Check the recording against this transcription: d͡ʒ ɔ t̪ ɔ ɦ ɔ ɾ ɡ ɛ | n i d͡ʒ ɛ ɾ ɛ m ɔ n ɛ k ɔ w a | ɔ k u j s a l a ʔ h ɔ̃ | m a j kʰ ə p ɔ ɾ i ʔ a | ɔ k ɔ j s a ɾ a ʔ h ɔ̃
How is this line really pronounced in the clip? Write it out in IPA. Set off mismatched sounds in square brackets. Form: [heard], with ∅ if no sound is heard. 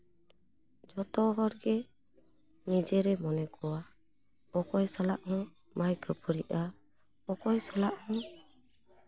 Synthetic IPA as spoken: d͡ʒ ɔ t̪ ɔ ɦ ɔ ɾ ɡ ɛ | n i d͡ʒ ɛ ɾ ɛ m ɔ n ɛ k ɔ w a | ɔ k [ɔ] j s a l a ʔ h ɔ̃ | m a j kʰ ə p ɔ ɾ i ʔ a | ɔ k ɔ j s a [l] a ʔ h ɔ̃